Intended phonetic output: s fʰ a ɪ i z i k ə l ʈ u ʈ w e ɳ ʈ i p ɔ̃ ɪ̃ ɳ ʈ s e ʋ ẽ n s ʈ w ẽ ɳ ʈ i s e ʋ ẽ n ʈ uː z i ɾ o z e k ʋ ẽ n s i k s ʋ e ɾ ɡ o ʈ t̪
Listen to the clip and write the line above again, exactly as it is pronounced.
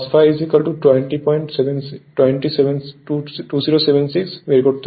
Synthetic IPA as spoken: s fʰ a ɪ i z i k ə l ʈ u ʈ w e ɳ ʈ i p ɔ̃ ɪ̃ ɳ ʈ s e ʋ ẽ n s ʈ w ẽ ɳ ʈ i s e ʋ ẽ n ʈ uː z i ɾ o s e ʋ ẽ n s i k s ʋ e ɾ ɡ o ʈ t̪